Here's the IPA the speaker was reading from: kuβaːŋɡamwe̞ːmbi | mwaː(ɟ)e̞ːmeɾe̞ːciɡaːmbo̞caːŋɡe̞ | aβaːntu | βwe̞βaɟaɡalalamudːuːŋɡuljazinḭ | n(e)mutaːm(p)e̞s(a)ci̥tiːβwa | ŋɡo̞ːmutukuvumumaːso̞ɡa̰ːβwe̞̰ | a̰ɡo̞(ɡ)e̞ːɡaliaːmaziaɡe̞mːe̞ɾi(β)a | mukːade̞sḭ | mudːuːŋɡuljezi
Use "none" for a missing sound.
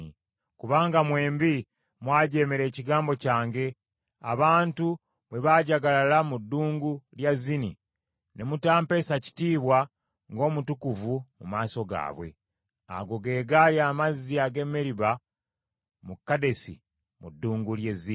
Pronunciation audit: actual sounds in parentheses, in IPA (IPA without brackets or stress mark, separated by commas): ɟ, e, p, a, ɡ, β